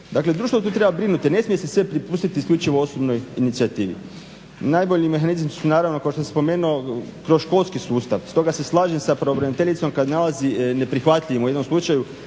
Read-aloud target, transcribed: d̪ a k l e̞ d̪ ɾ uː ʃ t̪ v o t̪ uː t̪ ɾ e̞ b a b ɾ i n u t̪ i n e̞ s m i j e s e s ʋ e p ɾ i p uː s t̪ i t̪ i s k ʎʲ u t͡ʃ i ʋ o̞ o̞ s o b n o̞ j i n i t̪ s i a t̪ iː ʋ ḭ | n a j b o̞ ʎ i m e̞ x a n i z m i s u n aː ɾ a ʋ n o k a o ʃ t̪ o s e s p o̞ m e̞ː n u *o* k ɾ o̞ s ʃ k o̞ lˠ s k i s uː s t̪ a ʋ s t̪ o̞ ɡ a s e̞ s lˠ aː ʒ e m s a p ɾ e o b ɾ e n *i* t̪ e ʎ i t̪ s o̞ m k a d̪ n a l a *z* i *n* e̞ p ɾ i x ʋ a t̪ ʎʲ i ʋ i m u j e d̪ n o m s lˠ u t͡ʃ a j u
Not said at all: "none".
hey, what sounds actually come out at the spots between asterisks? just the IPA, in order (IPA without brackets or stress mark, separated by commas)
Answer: o, i, z, n